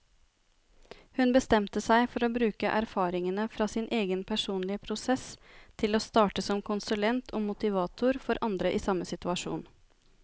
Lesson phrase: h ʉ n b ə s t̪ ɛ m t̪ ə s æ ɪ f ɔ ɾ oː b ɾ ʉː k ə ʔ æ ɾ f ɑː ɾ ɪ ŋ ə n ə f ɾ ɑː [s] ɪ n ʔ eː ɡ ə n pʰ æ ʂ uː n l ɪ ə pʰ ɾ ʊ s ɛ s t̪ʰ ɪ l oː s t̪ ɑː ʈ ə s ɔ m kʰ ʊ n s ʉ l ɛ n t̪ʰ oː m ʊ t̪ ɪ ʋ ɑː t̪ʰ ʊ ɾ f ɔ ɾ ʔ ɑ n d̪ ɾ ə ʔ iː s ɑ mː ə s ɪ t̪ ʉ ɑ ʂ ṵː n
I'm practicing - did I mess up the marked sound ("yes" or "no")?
no